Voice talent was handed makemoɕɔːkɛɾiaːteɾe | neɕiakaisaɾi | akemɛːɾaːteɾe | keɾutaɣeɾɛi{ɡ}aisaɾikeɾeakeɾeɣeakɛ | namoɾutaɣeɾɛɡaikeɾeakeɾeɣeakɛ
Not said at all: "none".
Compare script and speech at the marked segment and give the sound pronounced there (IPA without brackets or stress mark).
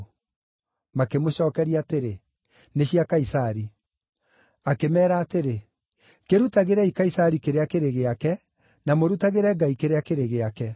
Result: k